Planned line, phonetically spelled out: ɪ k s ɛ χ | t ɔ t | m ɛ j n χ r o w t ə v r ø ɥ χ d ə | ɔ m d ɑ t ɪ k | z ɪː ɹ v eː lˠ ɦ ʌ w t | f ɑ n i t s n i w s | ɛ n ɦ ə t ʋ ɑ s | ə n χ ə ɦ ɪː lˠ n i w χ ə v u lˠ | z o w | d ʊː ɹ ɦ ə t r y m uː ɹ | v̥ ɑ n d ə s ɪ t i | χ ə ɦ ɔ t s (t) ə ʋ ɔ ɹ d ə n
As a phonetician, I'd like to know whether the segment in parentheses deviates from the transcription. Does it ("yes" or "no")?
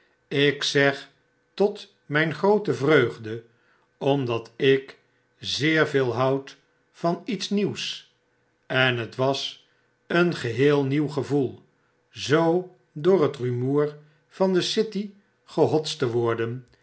no